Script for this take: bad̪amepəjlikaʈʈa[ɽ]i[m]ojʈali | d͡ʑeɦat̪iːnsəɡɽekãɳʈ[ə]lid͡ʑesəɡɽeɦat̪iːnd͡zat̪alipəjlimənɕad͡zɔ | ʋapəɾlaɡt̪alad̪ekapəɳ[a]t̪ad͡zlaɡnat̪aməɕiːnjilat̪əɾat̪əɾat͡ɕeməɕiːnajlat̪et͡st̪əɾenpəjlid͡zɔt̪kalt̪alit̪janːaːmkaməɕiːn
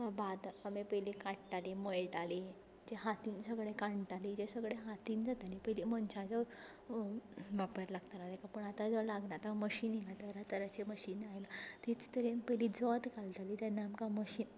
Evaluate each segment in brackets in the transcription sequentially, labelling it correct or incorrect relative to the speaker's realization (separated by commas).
incorrect, correct, incorrect, correct